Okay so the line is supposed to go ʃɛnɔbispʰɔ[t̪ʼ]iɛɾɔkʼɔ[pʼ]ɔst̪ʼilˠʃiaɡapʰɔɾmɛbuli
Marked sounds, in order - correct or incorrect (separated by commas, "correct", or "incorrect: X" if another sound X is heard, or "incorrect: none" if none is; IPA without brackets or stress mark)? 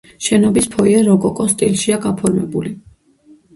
incorrect: none, incorrect: kʼ